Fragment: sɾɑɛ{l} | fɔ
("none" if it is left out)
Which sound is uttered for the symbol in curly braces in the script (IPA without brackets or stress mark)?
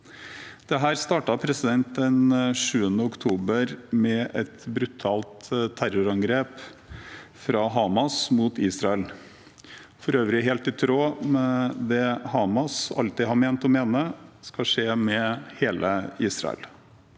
l